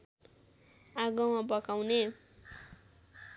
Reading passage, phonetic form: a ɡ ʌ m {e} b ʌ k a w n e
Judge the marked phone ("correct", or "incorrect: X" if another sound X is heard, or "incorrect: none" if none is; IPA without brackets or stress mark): incorrect: a